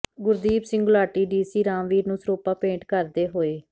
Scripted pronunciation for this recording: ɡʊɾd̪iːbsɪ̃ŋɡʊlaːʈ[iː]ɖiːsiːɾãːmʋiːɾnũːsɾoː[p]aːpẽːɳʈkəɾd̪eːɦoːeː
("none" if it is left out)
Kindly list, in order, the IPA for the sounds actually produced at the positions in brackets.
iː, p

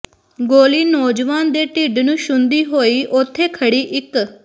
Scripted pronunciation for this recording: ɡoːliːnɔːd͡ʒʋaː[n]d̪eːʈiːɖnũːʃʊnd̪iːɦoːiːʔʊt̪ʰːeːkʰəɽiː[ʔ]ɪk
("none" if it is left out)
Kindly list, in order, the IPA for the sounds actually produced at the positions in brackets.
n, ʔ

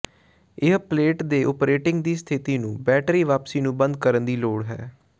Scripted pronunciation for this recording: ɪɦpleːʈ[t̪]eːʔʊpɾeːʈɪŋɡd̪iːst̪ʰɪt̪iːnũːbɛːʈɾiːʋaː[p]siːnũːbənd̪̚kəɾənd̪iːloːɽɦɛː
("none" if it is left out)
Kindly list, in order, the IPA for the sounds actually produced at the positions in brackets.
d̪, p

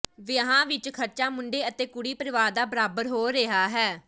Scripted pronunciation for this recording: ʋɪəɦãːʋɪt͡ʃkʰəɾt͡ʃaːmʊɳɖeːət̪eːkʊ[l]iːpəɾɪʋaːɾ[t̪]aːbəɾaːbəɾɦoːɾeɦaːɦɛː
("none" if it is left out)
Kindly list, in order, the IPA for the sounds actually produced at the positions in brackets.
ɽ, d̪

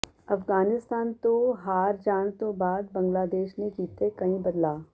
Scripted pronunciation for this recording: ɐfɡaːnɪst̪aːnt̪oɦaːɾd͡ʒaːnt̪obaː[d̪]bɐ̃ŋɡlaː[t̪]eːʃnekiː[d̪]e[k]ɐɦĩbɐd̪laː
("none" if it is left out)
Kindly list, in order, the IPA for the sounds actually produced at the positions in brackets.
d̪, d̪, t̪, k

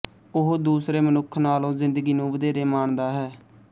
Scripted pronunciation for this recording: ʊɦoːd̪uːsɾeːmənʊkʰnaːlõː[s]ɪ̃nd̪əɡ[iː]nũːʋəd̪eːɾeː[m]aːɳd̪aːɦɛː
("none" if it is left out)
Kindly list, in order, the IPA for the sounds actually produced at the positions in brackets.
z, iː, m

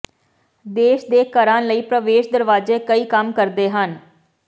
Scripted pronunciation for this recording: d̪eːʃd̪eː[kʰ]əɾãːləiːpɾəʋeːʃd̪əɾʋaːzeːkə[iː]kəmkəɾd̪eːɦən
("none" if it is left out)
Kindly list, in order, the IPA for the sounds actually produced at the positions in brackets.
k, iː

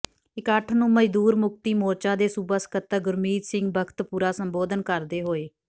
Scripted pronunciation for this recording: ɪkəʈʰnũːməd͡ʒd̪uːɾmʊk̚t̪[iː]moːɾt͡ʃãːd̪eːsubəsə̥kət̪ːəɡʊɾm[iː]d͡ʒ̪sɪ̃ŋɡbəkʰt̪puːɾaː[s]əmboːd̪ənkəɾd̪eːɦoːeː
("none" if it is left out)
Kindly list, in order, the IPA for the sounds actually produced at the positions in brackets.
iː, iː, s

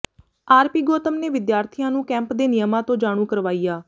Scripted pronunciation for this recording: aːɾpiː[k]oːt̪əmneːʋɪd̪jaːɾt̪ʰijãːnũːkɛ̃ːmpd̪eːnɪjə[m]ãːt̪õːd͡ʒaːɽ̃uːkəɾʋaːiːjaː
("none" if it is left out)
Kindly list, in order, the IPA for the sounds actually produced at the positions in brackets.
ɡ, m

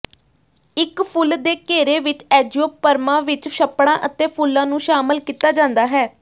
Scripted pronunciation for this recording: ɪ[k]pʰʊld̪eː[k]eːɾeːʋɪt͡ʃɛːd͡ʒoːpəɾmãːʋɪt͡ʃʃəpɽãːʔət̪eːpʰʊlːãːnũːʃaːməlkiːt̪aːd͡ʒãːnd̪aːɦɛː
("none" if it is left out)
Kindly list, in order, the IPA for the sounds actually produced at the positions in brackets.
k, k

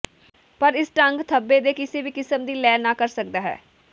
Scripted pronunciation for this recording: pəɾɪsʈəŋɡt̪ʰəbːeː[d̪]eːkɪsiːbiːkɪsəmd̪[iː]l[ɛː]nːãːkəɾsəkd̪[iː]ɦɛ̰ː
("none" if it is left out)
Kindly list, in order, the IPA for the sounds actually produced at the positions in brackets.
d̪, iː, ɛː, aː

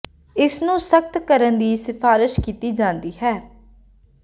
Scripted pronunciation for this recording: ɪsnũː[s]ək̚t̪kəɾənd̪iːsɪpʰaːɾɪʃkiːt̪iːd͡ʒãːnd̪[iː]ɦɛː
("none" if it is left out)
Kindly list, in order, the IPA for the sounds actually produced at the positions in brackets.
s, iː

